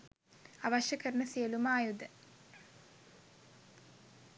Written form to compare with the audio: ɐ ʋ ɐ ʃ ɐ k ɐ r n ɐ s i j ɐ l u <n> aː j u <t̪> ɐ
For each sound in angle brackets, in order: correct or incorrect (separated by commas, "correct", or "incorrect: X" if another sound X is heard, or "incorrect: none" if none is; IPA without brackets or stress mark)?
incorrect: m, incorrect: d̪